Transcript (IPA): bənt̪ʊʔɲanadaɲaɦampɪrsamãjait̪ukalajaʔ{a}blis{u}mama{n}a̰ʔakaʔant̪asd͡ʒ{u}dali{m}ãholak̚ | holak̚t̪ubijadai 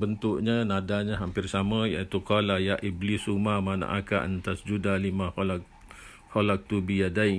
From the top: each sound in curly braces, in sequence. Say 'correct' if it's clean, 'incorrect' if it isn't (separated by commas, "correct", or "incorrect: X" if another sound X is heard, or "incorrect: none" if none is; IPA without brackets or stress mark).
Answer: incorrect: i, correct, correct, correct, correct